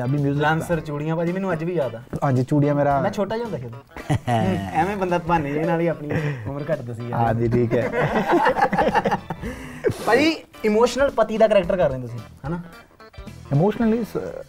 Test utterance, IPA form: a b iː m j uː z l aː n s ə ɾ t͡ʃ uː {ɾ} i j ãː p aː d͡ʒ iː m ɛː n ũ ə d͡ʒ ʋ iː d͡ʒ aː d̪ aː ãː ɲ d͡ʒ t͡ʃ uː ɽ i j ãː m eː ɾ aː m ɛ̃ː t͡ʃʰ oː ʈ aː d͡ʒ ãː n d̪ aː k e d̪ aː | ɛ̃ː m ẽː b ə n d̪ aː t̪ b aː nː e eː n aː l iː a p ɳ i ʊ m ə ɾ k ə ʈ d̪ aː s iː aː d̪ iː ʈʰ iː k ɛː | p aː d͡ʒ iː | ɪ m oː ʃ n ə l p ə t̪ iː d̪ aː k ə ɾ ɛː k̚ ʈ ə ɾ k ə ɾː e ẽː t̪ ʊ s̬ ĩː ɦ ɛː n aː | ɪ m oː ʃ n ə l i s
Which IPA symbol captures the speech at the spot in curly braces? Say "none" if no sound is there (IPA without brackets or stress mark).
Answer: ɽ